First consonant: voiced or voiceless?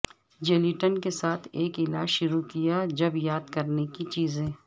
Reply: voiced